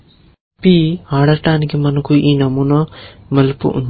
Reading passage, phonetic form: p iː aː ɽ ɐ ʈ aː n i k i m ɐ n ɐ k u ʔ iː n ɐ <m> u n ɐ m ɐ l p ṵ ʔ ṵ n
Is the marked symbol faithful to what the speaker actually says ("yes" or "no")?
yes